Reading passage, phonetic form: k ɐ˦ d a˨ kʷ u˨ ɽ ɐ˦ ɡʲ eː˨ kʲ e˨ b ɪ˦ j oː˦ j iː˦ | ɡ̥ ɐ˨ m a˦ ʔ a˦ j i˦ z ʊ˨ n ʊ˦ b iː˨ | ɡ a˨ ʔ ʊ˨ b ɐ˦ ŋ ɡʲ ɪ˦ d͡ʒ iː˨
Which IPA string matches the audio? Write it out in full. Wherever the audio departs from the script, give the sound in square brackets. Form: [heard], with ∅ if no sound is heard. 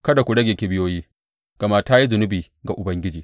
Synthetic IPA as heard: k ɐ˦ d a˨ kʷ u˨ ɽ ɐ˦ ɡʲ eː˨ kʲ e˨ b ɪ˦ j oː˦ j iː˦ | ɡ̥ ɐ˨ m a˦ [t] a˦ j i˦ z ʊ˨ n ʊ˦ b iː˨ | ɡ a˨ ʔ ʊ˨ b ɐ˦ ŋ ɡʲ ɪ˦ d͡ʒ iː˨